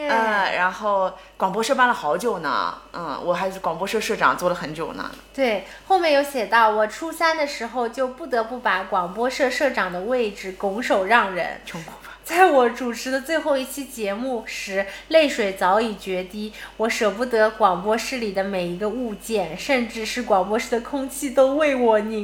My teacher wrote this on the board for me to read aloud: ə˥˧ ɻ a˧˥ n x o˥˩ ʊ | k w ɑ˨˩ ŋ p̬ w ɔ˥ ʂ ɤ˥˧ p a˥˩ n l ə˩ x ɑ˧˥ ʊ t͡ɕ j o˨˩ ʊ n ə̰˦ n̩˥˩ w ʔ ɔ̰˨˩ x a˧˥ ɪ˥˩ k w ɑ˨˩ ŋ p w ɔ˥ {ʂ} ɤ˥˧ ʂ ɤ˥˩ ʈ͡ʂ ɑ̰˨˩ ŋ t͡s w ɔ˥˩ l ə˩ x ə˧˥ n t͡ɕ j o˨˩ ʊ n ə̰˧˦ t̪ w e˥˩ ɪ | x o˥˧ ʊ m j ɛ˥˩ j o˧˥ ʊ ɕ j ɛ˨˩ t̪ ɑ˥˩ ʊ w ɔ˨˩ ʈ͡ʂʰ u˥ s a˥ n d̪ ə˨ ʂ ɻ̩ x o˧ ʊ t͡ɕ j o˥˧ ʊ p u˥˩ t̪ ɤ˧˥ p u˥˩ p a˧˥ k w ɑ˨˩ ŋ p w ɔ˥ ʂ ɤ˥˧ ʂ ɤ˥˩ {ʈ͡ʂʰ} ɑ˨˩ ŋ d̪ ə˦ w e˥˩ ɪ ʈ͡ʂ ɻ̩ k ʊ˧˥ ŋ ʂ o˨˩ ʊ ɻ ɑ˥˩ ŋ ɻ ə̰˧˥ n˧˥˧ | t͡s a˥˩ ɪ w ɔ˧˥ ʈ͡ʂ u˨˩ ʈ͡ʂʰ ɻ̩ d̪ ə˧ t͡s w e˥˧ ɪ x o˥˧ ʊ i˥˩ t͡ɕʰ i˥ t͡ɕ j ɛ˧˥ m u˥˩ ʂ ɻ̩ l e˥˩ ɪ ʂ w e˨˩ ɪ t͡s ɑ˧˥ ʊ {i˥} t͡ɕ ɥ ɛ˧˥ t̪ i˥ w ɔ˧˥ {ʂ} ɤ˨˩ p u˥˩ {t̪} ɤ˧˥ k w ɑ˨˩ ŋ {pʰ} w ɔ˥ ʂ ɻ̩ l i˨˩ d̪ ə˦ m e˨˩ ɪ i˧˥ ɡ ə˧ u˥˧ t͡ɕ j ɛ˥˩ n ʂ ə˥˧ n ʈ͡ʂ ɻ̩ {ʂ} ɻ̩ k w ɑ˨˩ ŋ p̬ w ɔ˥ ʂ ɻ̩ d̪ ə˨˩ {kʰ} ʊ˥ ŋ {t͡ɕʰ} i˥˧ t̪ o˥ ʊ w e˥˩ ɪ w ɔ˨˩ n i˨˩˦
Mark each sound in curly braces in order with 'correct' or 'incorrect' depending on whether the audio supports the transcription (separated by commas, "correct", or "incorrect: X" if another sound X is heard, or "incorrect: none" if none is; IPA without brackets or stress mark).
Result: correct, incorrect: ʈ͡ʂ, incorrect: i˨˩, correct, correct, incorrect: p, correct, correct, correct